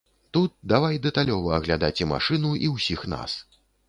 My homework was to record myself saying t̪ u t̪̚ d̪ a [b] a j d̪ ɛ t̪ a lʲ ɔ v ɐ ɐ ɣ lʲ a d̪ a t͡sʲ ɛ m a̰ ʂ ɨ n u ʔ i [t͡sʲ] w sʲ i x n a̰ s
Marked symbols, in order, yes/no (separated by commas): no, no